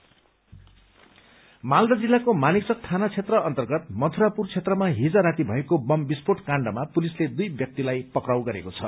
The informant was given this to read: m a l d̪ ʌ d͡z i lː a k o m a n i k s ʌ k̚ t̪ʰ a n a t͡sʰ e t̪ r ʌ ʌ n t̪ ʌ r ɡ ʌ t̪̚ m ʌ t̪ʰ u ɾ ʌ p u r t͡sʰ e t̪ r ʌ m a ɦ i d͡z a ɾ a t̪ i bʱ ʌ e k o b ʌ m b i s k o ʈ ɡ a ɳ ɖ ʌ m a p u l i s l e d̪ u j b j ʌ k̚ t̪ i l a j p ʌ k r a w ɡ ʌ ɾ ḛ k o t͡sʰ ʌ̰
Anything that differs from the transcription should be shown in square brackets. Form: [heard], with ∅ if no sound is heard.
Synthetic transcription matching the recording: m a l d̪ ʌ d͡z i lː a k o m a n i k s ʌ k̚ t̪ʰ a n a t͡sʰ e t̪ r ʌ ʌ n t̪ ʌ r ɡ ʌ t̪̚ m ʌ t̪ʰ u ɾ [a] p u r t͡sʰ e t̪ r ʌ m a ɦ i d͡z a ɾ a t̪ i bʱ ʌ e k o b ʌ m b i s [p] o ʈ [k] a ɳ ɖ ʌ m a p u l i s l e d̪ u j b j ʌ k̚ t̪ i l a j p ʌ k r a w ɡ ʌ ɾ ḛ k o t͡sʰ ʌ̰